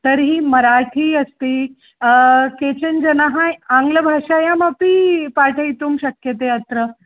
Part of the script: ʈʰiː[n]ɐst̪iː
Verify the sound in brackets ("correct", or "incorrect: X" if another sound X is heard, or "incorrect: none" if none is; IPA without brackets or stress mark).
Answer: incorrect: none